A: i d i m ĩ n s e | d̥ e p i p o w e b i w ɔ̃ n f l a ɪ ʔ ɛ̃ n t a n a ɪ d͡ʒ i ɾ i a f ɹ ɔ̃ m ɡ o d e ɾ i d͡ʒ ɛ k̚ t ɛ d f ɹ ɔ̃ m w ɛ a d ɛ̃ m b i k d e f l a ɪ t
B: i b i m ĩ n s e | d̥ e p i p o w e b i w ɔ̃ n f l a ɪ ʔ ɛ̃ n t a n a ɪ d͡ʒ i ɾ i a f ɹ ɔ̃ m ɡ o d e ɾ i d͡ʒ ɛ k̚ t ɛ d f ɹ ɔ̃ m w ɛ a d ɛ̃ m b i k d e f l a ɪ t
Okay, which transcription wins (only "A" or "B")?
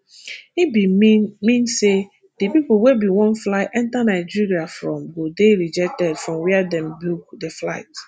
B